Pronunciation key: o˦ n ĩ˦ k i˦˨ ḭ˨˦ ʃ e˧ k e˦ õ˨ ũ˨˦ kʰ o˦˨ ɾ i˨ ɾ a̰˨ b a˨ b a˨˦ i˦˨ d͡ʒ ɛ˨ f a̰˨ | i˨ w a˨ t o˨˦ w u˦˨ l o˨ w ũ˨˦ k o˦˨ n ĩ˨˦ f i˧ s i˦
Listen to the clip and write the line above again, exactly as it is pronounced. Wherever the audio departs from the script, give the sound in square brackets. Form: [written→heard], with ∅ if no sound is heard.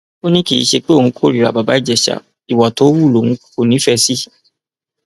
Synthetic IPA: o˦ n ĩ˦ k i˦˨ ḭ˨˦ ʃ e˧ [k→k͡p] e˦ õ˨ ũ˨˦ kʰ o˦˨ ɾ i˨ ɾ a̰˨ b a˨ b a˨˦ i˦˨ d͡ʒ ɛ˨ [f→ʃ] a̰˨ | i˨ w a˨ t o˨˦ w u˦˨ l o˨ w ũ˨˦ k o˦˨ n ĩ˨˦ f [i˧→ɛ˧] s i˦

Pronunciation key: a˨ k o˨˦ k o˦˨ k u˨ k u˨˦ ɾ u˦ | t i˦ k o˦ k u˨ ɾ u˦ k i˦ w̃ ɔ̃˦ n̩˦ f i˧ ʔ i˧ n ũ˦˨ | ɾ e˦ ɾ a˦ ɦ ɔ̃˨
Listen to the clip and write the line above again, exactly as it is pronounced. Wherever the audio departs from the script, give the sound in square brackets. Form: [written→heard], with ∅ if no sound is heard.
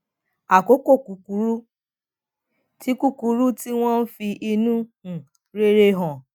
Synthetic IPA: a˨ k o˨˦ k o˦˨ k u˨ k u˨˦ ɾ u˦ | t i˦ k [o˦→u˦] k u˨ ɾ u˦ [k→t] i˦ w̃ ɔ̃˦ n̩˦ f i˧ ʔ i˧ n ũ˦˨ | ɾ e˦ ɾ [a˦→e˦] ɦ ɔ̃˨

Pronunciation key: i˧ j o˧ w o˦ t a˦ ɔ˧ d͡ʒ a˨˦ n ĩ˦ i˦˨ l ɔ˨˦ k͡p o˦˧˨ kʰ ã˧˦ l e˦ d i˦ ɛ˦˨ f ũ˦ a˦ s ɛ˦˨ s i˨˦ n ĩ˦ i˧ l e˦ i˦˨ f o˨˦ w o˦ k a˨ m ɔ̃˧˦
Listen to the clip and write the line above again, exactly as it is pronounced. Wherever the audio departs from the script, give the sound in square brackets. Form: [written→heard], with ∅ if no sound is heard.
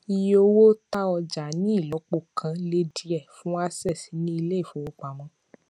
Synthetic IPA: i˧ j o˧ w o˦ t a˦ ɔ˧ d͡ʒ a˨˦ n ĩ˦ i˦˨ l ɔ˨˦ k͡p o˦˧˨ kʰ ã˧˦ l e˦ d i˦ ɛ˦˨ f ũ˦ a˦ s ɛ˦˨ s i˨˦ n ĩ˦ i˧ l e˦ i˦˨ f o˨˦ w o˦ [k→k͡p] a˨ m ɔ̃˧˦

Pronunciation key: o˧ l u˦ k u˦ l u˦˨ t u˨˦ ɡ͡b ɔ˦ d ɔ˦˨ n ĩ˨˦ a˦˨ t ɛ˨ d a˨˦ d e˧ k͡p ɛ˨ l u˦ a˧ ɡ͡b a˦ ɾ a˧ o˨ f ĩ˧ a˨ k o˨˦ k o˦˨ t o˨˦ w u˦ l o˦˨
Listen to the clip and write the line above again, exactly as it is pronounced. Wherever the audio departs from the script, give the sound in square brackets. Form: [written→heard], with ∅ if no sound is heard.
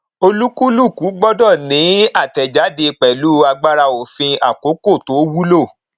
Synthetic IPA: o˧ l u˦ k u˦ l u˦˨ [t→k] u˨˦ ɡ͡b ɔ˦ d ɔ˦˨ n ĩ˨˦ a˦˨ t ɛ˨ [d→d͡ʒ] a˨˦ d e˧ k͡p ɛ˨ l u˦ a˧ ɡ͡b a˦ ɾ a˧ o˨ f ĩ˧ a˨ k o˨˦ k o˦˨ t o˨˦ w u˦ l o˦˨

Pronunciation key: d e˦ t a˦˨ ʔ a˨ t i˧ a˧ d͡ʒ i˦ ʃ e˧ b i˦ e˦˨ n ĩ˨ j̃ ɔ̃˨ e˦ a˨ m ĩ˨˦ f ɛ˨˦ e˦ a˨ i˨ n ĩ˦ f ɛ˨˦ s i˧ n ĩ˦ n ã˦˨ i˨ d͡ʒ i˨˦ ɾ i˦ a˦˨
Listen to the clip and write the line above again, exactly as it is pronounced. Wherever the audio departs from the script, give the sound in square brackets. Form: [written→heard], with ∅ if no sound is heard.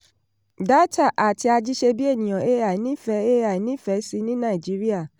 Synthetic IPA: d [e˦→a˦] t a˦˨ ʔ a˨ t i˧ a˧ d͡ʒ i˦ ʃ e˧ b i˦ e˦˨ n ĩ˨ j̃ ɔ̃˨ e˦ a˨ [m→n] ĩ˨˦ f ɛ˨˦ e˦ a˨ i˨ n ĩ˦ f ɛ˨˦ s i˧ n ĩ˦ n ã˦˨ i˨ d͡ʒ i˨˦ ɾ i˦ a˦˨

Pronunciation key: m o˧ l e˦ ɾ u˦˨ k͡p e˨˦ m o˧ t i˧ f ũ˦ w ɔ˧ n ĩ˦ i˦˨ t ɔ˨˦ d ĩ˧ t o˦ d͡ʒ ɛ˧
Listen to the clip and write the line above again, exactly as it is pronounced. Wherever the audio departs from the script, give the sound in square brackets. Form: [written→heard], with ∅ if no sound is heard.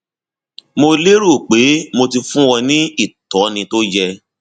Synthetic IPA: m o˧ l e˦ ɾ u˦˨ k͡p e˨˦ m o˧ t i˧ f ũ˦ w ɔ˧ n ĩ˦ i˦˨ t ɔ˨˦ [d→n] ĩ˧ t o˦ d͡ʒ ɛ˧

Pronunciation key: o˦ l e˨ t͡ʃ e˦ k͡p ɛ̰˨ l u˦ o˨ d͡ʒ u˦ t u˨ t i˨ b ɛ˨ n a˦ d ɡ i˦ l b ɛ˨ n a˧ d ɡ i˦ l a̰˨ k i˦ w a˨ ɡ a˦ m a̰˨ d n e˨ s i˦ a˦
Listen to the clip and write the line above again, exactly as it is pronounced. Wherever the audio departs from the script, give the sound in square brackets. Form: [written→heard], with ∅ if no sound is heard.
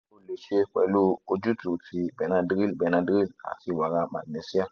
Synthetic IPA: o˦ l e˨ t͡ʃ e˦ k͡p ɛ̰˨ l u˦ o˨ d͡ʒ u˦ t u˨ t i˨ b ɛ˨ n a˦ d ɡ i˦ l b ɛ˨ n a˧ d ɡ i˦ l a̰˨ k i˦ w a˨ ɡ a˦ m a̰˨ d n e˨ s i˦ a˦

